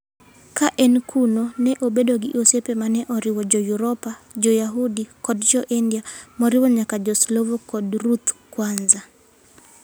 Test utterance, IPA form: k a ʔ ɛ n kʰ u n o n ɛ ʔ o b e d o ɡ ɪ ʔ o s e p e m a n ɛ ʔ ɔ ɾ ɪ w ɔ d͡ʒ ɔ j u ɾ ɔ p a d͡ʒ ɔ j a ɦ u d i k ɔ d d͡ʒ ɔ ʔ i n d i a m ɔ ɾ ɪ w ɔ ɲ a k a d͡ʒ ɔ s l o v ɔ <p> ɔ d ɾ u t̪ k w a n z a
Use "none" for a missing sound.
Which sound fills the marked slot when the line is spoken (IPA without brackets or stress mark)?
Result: k